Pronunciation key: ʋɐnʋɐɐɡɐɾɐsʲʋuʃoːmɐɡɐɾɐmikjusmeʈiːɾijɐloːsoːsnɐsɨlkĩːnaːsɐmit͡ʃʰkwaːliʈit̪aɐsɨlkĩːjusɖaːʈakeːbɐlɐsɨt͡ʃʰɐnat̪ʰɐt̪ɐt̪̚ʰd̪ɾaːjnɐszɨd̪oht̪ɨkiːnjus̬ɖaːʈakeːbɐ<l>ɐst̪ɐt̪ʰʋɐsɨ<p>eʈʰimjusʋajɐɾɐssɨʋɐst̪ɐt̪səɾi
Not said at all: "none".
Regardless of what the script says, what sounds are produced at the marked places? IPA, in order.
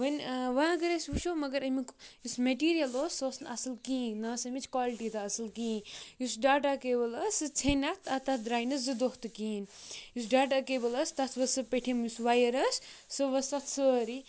l, p

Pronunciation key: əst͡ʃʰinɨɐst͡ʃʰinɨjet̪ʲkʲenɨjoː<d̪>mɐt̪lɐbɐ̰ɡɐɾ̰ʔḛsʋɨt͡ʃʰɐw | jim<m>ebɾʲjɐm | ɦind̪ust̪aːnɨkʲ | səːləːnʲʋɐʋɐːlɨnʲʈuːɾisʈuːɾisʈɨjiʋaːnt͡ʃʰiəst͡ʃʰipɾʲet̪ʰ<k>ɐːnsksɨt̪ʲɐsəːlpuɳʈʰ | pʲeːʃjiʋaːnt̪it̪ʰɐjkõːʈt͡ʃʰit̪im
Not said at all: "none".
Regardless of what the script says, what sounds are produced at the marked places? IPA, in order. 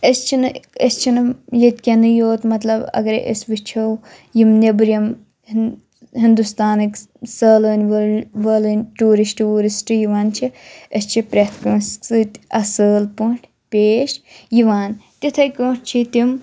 t̪, n, k

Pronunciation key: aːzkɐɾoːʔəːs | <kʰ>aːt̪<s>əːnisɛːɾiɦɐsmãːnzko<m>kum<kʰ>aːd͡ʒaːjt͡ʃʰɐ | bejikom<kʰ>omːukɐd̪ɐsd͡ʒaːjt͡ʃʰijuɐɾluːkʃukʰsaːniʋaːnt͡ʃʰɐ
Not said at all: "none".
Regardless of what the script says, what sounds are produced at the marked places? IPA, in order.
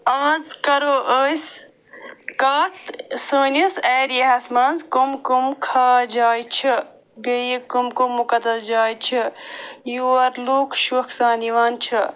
k, s, m, kʰ, k

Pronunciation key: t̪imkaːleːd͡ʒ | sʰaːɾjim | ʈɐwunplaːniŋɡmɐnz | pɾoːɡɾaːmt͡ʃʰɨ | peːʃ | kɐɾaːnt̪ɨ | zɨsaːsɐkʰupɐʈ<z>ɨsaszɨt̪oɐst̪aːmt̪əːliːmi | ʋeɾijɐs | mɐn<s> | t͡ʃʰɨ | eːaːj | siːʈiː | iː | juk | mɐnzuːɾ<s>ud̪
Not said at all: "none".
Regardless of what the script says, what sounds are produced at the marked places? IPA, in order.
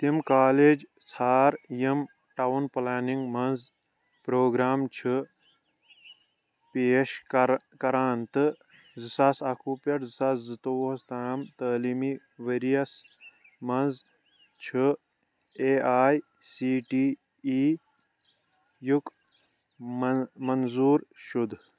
z, z, ʃ

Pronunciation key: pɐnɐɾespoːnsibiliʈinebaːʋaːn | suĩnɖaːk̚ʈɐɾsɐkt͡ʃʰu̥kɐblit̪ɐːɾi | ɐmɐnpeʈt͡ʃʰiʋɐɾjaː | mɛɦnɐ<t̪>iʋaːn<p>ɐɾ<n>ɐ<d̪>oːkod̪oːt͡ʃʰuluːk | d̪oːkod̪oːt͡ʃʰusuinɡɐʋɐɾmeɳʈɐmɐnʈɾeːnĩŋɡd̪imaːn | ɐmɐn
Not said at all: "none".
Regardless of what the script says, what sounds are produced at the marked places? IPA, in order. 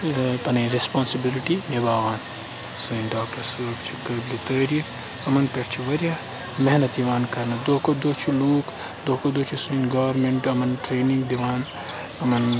t̪, k, n, d̪

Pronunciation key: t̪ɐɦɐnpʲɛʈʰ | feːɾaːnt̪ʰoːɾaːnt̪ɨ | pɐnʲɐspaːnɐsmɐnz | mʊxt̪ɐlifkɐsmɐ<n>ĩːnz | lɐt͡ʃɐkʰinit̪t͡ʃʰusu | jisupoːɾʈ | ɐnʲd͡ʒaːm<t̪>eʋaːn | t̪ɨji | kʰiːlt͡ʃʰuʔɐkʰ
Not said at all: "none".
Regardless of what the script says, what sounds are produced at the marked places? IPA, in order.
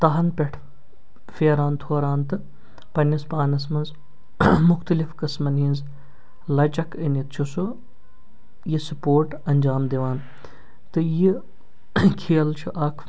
n, d̪

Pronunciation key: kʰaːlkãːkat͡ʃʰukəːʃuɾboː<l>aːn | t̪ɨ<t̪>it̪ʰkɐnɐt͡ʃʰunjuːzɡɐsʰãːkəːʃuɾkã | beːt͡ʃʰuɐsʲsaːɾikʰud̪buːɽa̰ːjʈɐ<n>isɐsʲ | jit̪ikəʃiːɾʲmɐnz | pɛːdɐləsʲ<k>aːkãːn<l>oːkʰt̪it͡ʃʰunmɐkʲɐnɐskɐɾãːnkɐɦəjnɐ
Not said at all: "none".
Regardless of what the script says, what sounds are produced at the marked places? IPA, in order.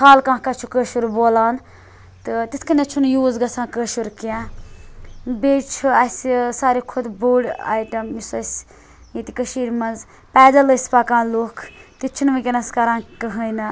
l, t̪, m, p, l

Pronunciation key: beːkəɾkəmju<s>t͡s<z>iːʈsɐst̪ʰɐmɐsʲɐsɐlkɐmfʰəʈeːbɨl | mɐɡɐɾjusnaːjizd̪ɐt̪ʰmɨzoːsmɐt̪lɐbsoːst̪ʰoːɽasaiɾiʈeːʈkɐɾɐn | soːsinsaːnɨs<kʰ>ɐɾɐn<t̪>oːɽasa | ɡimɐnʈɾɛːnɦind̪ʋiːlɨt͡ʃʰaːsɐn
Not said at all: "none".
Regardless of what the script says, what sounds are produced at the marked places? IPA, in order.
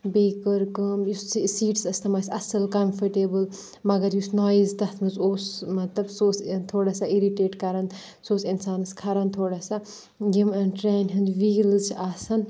s, s, kʰ, t̪ʰ

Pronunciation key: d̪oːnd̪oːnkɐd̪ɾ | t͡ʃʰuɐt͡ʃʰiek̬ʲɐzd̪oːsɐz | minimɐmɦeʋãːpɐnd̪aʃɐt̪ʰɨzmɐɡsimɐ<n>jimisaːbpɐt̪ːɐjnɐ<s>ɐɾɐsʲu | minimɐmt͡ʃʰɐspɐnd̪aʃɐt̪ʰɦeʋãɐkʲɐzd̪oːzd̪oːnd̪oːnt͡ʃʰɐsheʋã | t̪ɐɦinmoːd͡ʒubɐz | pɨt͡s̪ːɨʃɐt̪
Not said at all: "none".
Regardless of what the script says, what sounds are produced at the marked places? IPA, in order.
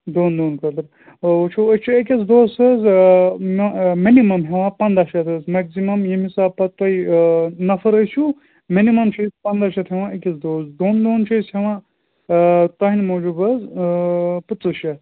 m, f

